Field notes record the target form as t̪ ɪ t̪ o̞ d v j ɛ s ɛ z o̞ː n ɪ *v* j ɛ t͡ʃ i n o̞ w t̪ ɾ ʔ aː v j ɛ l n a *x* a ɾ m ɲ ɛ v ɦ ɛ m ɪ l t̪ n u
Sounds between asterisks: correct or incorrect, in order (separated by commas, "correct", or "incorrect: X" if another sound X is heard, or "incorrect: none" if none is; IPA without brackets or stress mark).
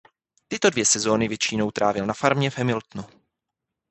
correct, incorrect: f